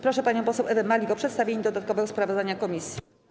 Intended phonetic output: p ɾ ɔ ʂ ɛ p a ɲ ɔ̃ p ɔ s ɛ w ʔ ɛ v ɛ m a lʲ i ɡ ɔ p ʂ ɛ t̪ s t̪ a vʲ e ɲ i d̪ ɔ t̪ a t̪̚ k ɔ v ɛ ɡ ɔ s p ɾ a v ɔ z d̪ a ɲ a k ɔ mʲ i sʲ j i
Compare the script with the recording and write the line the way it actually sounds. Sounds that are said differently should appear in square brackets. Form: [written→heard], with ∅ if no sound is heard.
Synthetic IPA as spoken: p ɾ ɔ ʂ ɛ p a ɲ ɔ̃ p ɔ s ɛ w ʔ ɛ v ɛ m a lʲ i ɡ ɔ p ʂ ɛ t̪ s t̪ a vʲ e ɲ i d̪ ɔ [t̪→d̪] a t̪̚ k ɔ v ɛ ɡ ɔ s p ɾ a v ɔ z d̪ a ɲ a k ɔ mʲ i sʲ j i